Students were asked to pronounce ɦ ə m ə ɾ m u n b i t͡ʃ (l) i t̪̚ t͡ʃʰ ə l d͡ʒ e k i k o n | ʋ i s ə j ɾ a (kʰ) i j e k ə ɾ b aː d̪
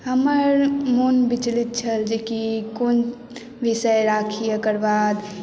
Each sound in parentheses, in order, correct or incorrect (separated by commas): correct, correct